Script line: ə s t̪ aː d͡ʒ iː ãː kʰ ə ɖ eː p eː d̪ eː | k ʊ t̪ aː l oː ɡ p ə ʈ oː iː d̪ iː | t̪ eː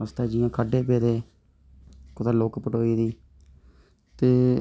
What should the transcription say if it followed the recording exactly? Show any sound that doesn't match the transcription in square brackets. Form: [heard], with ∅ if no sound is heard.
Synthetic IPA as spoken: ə s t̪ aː d͡ʒ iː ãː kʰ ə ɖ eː p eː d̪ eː | k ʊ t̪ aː l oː [k] p ə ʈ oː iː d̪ iː | t̪ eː